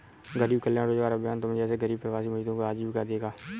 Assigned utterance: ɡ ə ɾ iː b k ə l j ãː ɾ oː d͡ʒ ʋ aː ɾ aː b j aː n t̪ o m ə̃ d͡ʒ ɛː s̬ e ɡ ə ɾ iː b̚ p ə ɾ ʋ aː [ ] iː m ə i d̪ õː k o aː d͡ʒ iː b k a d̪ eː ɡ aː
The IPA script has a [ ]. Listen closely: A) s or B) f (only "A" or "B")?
A